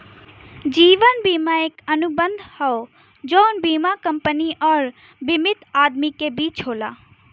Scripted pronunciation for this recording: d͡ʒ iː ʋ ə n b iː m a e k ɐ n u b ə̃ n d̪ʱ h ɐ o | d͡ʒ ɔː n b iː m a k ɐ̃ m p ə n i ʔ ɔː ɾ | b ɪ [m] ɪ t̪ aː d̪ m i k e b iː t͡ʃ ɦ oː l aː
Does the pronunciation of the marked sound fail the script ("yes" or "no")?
no